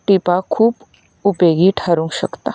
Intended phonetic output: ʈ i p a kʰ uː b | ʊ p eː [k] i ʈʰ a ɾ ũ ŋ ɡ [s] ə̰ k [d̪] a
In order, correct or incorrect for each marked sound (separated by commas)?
incorrect, incorrect, incorrect